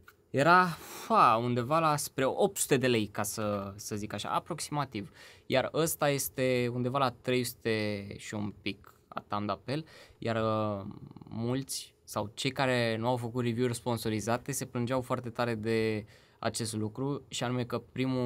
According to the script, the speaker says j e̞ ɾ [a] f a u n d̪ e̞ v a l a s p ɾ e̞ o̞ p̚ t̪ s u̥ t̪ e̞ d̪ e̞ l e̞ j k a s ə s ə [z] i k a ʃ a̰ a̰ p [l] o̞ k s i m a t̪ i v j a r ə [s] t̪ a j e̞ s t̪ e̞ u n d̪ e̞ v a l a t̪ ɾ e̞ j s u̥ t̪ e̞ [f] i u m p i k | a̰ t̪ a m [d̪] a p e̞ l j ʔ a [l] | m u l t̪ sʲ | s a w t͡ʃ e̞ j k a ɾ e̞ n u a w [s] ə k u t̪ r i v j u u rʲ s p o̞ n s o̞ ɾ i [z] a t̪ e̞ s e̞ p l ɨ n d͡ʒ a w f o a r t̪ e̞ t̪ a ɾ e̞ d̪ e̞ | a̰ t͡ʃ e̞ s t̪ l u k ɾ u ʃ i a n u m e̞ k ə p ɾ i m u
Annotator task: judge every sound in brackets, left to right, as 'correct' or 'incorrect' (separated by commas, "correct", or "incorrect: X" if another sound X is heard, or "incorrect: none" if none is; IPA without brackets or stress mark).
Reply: correct, correct, incorrect: ɾ, correct, incorrect: ʃ, correct, incorrect: r, incorrect: f, correct